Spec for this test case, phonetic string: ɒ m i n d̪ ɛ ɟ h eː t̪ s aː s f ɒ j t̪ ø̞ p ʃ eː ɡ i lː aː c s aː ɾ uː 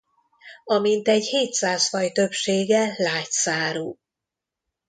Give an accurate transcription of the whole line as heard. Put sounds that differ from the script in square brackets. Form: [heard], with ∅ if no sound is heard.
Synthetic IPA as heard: ɒ m i n [t̪] ɛ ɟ h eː t̪ s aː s f ɒ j t̪ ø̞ p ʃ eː ɡ [ɛ] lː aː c s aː ɾ uː